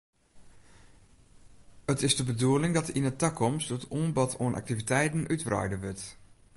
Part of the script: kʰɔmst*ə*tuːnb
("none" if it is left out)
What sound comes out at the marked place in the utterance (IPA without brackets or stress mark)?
ə